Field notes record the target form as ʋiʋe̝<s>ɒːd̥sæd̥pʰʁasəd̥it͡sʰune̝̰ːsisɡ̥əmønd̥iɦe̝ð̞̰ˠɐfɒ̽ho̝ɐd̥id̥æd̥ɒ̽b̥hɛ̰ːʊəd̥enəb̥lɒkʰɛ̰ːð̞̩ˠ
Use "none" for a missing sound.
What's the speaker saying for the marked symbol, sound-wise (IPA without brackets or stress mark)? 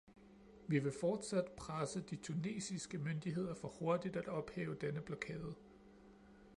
f